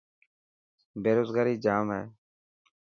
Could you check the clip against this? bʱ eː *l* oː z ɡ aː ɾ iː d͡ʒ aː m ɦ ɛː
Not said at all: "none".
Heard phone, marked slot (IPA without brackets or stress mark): ɾ